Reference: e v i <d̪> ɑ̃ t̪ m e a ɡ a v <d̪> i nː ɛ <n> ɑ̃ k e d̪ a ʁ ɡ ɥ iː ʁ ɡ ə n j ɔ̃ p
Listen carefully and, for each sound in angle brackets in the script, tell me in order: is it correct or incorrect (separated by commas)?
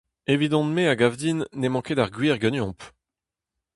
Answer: correct, correct, incorrect